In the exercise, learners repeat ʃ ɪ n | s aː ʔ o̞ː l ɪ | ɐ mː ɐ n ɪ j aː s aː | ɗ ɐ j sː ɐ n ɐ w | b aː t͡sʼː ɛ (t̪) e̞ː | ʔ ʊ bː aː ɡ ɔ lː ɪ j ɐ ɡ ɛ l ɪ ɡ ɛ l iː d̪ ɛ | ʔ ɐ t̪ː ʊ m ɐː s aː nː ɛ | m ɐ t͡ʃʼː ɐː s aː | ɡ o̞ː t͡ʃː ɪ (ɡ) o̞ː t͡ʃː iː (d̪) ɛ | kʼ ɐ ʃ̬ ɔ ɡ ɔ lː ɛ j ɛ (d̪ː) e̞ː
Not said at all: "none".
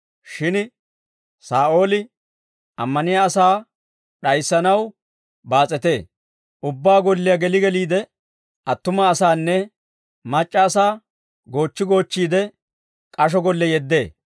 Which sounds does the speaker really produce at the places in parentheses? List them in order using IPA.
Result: t̪, ɡ, d̪, d̪ː

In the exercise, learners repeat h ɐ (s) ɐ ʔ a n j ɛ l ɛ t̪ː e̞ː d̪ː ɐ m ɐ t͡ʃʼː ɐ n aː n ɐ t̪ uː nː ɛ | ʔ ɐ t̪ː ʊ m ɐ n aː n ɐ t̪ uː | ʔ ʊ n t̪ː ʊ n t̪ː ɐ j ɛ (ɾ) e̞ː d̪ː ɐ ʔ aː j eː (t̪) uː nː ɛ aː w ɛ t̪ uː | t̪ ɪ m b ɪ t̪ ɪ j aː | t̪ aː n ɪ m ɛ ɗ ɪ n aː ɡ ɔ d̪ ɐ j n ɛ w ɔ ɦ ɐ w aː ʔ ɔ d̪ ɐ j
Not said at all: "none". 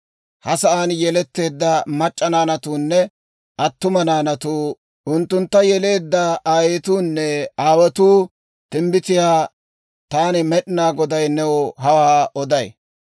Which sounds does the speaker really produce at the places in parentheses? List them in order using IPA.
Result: s, l, t̪

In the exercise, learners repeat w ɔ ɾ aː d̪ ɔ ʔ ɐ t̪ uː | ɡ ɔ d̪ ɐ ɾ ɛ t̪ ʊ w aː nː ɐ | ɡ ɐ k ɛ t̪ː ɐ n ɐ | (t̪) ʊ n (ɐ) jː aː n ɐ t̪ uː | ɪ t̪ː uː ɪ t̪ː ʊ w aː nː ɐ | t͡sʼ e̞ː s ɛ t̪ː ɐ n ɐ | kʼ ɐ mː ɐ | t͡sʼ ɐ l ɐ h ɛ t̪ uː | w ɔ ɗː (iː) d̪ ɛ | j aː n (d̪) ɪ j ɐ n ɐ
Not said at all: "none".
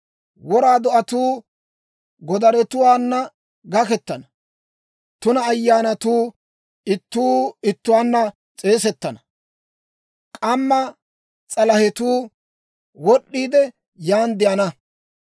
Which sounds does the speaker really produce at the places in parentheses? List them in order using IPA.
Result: t̪, ɐː, iː, d̪

